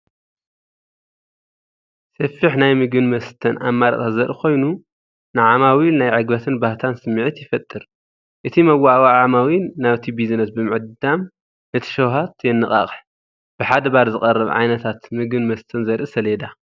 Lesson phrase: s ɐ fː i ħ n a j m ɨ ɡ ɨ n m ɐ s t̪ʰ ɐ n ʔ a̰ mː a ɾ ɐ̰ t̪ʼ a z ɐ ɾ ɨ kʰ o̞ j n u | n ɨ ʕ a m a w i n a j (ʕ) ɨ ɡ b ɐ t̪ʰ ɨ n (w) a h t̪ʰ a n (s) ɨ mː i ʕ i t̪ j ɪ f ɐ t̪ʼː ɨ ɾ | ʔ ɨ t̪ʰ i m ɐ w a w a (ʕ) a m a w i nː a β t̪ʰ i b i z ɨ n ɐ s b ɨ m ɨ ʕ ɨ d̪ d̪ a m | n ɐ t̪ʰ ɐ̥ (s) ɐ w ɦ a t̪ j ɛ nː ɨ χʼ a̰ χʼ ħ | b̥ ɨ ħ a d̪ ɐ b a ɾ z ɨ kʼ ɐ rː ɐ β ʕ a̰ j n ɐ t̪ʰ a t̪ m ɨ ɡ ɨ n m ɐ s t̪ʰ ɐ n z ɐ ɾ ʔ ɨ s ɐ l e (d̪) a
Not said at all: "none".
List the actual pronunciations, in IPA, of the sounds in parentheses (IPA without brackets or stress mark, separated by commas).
ʕ, b, s, ʕ, ʃ, d̪